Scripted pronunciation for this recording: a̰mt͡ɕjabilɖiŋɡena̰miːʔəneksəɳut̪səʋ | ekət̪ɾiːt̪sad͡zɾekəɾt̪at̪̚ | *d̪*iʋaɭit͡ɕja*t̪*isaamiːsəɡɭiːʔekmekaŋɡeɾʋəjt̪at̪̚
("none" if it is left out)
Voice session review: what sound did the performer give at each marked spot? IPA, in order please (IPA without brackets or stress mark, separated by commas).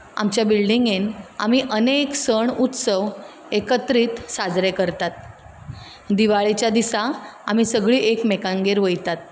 d̪, d̪